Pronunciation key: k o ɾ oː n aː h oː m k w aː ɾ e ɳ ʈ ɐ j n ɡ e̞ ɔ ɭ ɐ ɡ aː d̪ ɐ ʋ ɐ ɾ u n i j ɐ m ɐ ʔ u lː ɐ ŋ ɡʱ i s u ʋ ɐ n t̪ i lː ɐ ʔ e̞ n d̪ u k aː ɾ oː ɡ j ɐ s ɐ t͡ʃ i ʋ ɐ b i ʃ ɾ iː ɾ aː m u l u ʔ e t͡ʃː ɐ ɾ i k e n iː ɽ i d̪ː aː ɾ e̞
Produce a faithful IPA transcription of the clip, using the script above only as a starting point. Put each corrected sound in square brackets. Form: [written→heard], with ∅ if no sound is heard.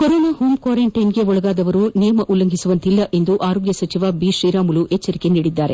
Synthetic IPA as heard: k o ɾ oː n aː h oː m k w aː ɾ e ɳ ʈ ɐ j n ɡ e̞ ɔ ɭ ɐ ɡ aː d̪ ɐ ʋ ɐ ɾ u n i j ɐ m ɐ ʔ u lː ɐ ŋ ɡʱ i s u ʋ ɐ n t̪ i lː ɐ ʔ e̞ n d̪ u [k→ʔ] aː ɾ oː ɡ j ɐ s ɐ t͡ʃ i ʋ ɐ b i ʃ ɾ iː ɾ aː m u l u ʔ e t͡ʃː ɐ ɾ i k e n iː ɽ i d̪ː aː ɾ e̞